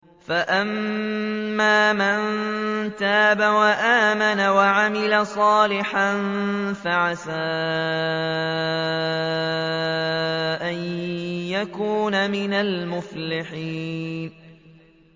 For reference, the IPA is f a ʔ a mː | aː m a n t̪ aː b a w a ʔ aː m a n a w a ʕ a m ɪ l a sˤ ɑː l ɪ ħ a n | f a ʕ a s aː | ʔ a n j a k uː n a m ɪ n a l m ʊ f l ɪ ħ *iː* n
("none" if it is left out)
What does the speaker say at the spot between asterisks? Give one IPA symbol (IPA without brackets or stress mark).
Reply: iː